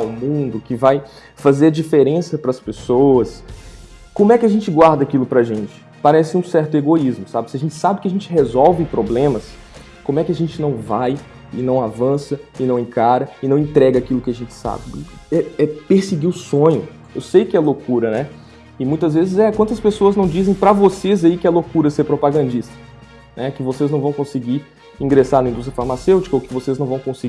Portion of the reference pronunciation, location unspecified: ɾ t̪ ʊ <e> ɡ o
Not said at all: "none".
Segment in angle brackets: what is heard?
e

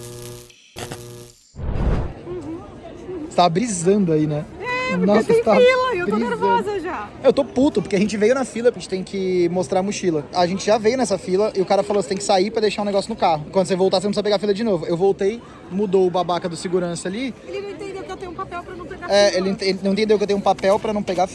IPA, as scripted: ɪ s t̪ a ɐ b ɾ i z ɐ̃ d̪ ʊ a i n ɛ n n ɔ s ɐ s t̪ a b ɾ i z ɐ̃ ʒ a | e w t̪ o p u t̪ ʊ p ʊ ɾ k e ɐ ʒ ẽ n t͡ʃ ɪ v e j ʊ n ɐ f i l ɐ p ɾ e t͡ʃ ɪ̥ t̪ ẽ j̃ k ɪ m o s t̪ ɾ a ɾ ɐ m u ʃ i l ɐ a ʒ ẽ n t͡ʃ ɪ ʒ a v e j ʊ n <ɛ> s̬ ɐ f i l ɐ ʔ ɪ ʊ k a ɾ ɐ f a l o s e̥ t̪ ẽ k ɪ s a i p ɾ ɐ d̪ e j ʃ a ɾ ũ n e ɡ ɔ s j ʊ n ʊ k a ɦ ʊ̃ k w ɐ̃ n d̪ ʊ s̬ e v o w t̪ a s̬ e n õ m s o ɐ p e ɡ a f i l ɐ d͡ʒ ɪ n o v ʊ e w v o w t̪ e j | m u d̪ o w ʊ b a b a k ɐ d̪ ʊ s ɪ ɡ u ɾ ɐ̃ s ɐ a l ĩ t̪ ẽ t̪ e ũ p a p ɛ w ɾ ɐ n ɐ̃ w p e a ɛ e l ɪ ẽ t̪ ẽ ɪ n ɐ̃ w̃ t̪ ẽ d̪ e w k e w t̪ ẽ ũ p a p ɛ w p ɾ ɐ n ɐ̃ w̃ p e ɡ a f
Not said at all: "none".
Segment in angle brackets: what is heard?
ɛ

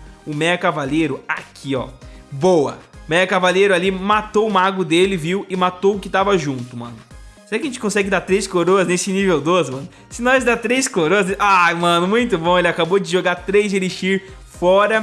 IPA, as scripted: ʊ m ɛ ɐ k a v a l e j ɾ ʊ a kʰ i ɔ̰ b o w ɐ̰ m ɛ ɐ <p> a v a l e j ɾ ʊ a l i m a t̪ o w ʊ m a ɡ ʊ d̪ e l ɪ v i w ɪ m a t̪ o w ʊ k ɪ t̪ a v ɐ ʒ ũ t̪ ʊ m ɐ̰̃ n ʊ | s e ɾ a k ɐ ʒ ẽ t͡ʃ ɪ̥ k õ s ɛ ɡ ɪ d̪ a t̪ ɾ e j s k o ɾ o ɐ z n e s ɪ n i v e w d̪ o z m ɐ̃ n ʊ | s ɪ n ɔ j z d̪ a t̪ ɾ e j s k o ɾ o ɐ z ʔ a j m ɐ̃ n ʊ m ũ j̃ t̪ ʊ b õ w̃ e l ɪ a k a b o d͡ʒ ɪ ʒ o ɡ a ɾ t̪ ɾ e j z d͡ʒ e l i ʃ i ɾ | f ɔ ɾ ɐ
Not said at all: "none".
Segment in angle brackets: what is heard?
k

